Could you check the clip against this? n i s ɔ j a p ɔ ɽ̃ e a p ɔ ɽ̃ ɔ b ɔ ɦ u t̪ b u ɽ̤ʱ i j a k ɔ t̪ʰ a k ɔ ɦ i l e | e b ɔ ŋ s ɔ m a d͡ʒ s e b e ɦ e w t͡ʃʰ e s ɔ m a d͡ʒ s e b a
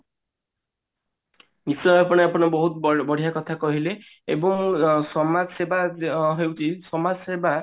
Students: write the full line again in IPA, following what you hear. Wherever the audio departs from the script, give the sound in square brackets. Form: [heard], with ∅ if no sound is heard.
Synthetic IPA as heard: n i s ɔ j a p ɔ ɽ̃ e a p ɔ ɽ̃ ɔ b ɔ ɦ u t̪ b [ɔ] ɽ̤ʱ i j a k ɔ t̪ʰ a k ɔ ɦ i l e | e b ɔ ŋ s ɔ m a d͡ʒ s e b [a] ɦ e w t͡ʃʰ [i] s ɔ m a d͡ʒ s e b a